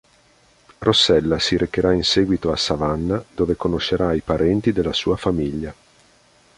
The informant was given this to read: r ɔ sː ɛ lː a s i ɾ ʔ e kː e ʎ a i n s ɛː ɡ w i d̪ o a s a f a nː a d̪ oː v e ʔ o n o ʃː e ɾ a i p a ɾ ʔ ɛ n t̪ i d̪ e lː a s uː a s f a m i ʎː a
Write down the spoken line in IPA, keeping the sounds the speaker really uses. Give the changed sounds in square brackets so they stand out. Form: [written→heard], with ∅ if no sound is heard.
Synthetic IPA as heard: r [ɔ→o] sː ɛ lː a s i ɾ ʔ e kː e [ʎ→ɾ] a i n s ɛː ɡ w i [d̪→t̪] o a s a [f→v] a nː a d̪ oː v e [ʔ→k] o n o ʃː e ɾ a i p a ɾ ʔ ɛ n t̪ i d̪ e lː a s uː a [s→∅] f a m i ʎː a